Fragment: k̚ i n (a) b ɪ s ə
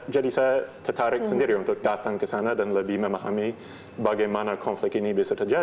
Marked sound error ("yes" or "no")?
yes